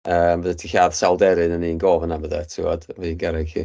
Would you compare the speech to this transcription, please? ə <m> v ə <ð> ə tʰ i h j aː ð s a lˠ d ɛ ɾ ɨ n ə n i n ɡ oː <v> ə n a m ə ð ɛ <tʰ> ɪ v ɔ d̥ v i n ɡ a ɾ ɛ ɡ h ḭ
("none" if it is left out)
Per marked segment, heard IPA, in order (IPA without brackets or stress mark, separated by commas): m, ð, v, tʰ